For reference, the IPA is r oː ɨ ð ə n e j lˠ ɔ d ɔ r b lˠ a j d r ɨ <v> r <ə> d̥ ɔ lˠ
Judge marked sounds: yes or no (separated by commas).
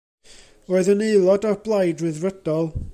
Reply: no, yes